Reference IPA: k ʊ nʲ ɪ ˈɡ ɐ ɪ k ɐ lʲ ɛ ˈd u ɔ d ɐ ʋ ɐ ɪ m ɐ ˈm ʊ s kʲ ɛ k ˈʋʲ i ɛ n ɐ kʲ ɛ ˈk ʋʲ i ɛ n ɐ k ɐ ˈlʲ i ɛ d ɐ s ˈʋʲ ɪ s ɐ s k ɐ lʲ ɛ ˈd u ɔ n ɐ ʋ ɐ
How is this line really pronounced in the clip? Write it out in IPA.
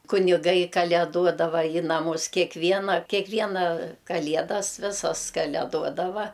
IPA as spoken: k ʊ nʲ ɪ ˈɡ ɐ ɪ k ɐ lʲ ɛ ˈd u ɔ d ɐ ʋ ɐ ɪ n ɐ ˈm ʊ s kʲ ɛ k ˈʋʲ i ɛ n ɐ kʲ ɛ ˈk ʋʲ i ɛ n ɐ k ɐ ˈlʲ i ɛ d ɐ s ˈʋʲ ɪ s ɐ s k ɐ lʲ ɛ ˈd u ɔ d ɐ ʋ ɐ

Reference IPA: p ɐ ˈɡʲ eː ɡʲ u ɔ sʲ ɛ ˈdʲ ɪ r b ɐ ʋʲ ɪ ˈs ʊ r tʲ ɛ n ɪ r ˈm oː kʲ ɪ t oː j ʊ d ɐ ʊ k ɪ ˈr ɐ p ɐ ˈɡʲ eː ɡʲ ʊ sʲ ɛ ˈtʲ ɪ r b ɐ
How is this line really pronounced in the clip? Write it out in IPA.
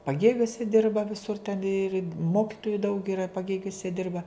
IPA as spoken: p ɐ ˈɡʲ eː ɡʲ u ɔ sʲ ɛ ˈdʲ ɪ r b ɐ ʋʲ ɪ ˈs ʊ r tʲ ɛ n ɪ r ˈm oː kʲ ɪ t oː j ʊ d ɐ ʊ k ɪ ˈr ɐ p ɐ ˈɡʲ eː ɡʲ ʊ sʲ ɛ ˈdʲ ɪ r b ɐ

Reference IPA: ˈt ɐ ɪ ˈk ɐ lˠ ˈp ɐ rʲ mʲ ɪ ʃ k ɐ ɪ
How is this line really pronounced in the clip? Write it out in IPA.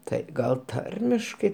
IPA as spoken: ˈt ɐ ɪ ˈɡ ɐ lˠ ˈt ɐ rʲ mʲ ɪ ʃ k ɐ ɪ

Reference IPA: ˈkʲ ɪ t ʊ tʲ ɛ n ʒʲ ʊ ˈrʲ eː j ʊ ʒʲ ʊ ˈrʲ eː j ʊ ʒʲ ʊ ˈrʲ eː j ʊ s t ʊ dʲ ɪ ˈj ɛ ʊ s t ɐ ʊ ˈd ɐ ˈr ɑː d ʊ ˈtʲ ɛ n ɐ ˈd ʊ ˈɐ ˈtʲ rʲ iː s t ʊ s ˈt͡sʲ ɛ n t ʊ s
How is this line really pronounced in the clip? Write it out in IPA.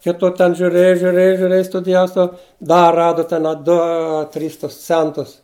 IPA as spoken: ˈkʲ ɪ t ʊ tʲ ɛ n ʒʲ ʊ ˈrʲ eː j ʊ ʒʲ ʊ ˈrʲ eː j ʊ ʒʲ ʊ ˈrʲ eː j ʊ s t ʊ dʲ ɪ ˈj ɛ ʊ s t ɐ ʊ ˈd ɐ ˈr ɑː d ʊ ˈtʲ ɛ n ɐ ˈd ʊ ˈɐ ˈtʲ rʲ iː s t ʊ s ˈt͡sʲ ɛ n t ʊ s

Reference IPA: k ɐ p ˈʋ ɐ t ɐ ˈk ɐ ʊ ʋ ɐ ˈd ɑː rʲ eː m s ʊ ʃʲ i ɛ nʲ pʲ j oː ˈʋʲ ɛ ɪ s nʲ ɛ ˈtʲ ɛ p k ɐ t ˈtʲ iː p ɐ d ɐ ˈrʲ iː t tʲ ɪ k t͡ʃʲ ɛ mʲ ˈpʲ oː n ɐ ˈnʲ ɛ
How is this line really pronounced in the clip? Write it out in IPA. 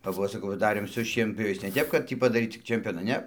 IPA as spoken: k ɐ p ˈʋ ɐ s ɐ ˈk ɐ ʊ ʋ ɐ ˈd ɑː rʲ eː m s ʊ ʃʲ i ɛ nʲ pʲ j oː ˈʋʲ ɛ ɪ s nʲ ɛ ˈtʲ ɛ p k ɐ t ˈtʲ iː p ɐ d ɐ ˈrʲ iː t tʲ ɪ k t͡ʃʲ ɛ mʲ ˈpʲ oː n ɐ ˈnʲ ɛ

